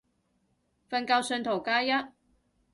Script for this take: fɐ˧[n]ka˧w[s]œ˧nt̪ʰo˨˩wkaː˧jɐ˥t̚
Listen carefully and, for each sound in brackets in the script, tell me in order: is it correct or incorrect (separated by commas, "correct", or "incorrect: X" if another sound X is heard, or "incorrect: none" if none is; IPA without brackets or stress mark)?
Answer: correct, correct